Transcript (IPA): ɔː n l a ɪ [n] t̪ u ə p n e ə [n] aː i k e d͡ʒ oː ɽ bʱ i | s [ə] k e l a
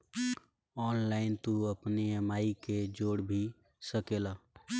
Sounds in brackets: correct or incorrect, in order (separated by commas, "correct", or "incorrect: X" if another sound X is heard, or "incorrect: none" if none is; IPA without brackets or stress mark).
correct, incorrect: m, correct